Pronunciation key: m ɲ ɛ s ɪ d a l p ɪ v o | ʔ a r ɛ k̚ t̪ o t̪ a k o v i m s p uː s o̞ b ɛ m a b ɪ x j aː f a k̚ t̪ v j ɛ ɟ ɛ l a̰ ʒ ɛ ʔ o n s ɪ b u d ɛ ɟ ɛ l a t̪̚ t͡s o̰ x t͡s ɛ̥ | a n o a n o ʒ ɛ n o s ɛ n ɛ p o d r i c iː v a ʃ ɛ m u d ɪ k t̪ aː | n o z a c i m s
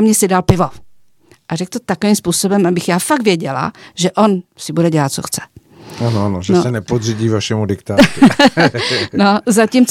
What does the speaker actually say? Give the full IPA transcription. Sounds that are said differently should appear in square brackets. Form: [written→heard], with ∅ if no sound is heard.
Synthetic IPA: m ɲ ɛ s ɪ d a l p ɪ v o | ʔ a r ɛ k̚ t̪ o t̪ a k o v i m s p uː s o̞ b ɛ m a b ɪ x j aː f a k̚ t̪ v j ɛ ɟ ɛ l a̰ ʒ ɛ ʔ o n s ɪ b u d ɛ ɟ ɛ l a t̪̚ t͡s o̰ x t͡s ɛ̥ | a n o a n o ʒ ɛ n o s ɛ n ɛ p o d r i [c→ɟ] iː v a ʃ ɛ m u d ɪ k t̪ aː | n o z a c i m [s→t͡s]